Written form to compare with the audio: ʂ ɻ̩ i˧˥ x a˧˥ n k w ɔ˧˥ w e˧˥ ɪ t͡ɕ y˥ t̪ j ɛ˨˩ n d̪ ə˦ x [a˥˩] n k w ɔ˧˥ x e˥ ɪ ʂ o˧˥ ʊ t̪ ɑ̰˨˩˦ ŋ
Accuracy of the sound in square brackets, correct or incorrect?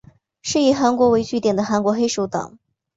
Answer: incorrect: a˧˥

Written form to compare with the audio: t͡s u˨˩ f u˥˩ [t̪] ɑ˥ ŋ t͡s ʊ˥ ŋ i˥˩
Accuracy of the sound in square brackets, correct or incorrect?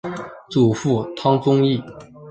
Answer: incorrect: t̪ʰ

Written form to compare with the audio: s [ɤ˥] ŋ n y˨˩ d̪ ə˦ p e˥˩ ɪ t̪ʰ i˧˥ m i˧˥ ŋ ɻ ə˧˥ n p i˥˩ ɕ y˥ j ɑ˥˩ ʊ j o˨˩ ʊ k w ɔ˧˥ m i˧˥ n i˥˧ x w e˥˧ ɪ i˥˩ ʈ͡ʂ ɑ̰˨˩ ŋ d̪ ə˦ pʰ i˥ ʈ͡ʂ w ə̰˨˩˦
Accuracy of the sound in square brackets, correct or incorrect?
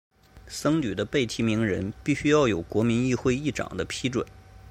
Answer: correct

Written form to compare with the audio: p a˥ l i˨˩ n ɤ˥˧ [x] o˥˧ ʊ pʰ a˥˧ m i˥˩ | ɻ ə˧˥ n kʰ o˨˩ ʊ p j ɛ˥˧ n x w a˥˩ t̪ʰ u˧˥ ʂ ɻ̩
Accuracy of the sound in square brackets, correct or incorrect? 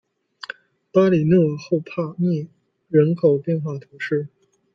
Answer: correct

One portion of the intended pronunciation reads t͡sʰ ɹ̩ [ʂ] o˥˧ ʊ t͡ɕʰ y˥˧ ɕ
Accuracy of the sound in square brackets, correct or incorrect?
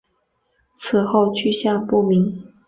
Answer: incorrect: x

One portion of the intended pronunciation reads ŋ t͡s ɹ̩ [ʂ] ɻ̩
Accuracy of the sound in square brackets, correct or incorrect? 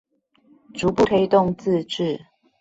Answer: incorrect: ʈ͡ʂ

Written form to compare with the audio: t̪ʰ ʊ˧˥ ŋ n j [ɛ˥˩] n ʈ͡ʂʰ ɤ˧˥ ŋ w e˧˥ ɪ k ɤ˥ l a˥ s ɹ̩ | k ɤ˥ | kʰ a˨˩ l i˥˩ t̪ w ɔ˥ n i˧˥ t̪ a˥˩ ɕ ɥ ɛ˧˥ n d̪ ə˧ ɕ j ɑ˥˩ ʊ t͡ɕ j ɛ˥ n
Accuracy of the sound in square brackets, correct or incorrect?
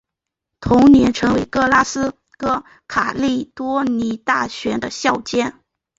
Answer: incorrect: ɛ˧˥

